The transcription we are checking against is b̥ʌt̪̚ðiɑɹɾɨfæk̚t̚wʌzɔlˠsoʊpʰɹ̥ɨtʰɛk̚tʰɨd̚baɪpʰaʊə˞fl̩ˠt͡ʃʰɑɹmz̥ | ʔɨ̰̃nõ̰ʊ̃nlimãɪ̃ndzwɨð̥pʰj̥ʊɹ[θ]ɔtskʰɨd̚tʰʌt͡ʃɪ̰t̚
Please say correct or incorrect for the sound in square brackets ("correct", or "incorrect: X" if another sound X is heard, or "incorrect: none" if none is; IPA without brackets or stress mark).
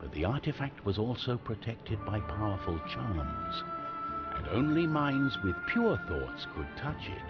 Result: correct